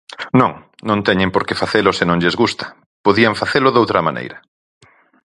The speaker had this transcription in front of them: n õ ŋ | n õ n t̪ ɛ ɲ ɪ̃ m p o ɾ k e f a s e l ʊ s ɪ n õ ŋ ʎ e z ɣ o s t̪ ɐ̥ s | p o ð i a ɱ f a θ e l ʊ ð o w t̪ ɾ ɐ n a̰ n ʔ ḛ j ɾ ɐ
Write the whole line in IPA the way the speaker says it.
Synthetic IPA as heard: n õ ŋ | n õ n t̪ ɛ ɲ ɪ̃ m p o ɾ k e f a θ e l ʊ s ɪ n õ ŋ ʎ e z ɣ u s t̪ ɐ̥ | p o ð i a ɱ f a θ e l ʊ ð o w t̪ ɾ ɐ m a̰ n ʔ ḛ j ɾ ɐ

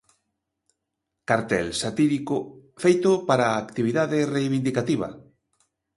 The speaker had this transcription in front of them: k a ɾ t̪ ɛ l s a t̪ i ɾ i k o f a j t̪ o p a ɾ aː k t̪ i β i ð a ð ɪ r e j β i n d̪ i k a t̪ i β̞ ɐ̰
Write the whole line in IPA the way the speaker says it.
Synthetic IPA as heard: k a ɾ t̪ ɛ l s a t̪ i ɾ i k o f e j t̪ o p a ɾ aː k t̪ i β i ð a ð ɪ r e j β i n d̪ i k a t̪ i β̞ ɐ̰

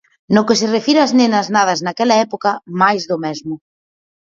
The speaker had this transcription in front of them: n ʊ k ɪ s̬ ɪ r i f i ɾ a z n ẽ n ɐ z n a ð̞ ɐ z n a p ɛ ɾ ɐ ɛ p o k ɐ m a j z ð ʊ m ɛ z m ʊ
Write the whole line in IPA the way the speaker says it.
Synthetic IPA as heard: n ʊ k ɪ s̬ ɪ r e f i ɾ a z n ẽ n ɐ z n a ð̞ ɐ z n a k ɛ l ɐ ɛ p o k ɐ m a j z ð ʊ m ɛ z m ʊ

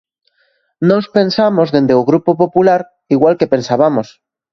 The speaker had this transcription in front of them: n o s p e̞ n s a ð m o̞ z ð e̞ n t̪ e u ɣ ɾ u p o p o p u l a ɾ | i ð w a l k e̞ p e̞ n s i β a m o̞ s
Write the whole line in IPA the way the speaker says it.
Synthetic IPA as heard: n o s p e̞ n s a m o̞ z ð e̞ n d̪ e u ɣ ɾ u p o p o p u l a ɾ | i ɣ w a l k e̞ p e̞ n s a β a m o̞ s

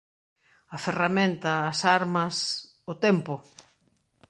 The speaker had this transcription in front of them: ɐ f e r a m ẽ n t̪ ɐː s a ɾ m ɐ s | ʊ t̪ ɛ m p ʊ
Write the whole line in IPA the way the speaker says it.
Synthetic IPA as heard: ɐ f e r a m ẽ n t̪ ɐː s a ɾ m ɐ s | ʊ t̪ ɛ m p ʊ

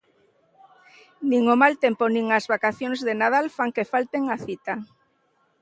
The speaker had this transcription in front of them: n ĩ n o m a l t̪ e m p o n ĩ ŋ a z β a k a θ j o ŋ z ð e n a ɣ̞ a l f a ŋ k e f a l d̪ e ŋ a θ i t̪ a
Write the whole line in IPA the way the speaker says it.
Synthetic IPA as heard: n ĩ ŋ o m a l t̪ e m p o n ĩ ŋ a z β a k a θ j o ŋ z ð e n a ð̞ a l f a ŋ k e f a l t̪ e ŋ a θ i t̪ a

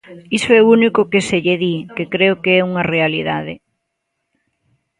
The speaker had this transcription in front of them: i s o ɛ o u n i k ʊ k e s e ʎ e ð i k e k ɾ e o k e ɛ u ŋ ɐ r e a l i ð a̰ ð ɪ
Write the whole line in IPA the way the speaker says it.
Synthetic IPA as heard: i s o ɛ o u n i k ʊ k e s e ʎ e ð i k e k ɾ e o k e ɛ u ŋ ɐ r e a l i ð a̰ ð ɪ

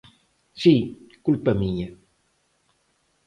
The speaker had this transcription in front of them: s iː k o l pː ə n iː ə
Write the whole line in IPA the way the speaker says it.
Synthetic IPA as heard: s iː k u l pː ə m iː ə

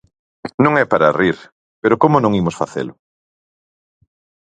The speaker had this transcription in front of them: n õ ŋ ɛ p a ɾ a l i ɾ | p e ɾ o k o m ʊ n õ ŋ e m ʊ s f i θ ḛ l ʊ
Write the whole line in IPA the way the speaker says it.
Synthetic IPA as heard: n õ ŋ ɛ p a ɾ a r i ɾ | p e ɾ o k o m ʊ n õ ŋ i m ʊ s f a θ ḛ l ʊ

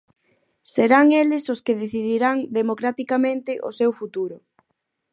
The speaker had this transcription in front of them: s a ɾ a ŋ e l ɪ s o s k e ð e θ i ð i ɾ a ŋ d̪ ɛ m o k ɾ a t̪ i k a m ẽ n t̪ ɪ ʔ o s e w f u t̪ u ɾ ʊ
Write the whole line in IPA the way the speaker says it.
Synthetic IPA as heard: s e ɾ a ŋ e l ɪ s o s k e ð e θ i ð i ɾ a ŋ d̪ e m o k ɾ a t̪ i k a m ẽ n t̪ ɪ ʔ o s e w f u t̪ u ɾ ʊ

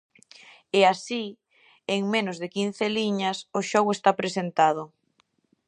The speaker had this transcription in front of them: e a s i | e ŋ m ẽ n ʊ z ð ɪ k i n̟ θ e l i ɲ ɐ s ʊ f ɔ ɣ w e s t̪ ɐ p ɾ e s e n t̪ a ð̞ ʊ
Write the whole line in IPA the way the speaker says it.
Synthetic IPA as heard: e a s i | e ŋ m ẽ n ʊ z ð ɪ k i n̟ θ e l i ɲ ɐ s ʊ ʃ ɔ ɣ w e s t̪ a p ɾ e s e n t̪ a ð̞ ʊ

